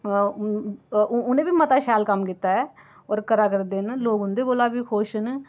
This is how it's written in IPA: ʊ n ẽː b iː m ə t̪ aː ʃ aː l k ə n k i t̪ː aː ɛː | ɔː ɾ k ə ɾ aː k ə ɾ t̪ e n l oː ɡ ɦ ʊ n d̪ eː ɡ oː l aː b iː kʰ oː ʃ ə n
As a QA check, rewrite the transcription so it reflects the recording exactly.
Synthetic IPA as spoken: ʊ n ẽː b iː m ə t̪ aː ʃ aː l k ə m k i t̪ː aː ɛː | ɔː ɾ k ə ɾ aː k ə ɾ d̪ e n l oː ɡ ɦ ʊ n d̪ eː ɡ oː l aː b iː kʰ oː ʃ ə n